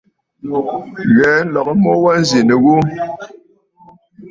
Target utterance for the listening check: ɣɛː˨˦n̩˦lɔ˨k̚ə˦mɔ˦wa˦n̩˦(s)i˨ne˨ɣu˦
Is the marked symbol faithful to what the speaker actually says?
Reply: no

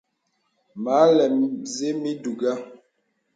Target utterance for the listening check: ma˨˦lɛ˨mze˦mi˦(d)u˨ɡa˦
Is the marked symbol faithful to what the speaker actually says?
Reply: yes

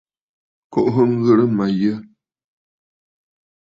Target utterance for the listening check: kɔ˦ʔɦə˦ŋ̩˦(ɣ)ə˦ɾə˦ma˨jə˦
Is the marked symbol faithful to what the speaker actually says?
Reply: yes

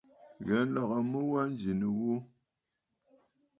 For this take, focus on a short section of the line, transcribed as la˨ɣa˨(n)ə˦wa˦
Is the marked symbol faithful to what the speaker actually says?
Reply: no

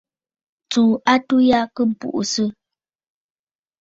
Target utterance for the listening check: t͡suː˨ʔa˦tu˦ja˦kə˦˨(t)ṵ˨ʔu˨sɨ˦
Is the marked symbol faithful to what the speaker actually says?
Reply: no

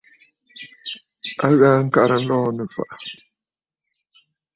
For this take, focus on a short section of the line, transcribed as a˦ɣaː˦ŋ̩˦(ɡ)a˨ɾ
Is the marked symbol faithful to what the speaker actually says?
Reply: no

